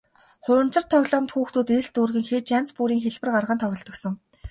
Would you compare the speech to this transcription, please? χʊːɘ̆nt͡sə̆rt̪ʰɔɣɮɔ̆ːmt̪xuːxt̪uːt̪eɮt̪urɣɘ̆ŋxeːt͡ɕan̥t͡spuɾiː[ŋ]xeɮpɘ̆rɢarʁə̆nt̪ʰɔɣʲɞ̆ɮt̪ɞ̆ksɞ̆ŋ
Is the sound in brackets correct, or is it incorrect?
correct